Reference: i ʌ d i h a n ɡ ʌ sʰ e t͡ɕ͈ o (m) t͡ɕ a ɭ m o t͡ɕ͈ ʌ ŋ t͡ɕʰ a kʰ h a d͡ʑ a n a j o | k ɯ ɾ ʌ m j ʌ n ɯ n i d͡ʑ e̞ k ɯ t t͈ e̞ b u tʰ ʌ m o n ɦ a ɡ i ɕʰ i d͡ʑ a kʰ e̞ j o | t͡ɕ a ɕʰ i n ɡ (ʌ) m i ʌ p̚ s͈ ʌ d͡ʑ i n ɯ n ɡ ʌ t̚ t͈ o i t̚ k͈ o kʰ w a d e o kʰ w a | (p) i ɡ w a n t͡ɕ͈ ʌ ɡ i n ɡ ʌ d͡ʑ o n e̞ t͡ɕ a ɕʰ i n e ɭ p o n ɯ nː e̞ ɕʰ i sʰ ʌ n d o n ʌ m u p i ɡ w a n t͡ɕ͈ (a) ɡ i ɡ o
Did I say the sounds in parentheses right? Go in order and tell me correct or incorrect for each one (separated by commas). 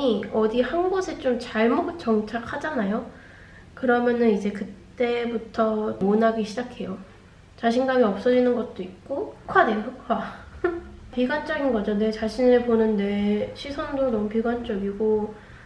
correct, incorrect, correct, incorrect